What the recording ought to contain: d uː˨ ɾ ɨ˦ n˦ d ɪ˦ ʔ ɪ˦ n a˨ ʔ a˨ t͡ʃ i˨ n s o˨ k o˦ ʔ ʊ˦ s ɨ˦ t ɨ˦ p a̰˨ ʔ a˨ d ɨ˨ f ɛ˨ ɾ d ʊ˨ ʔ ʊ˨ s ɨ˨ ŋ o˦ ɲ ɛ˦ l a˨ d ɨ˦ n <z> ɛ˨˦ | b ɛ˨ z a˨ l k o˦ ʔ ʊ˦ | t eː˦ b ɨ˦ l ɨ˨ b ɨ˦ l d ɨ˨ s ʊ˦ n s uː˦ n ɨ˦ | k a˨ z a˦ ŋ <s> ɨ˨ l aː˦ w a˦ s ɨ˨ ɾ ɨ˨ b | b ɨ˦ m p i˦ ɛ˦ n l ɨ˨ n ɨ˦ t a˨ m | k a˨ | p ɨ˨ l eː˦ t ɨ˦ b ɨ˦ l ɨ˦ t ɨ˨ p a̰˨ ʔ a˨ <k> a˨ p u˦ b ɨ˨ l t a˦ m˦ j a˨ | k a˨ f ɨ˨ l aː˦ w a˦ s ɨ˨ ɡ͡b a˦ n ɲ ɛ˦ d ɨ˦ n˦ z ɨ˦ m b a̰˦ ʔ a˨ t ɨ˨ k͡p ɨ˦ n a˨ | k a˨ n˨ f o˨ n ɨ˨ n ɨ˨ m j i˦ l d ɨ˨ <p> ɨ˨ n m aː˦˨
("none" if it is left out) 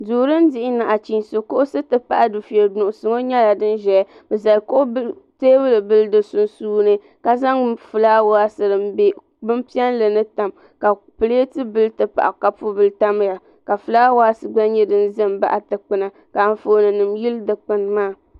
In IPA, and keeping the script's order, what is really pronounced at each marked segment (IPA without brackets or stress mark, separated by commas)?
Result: ʒ, f, k, k͡p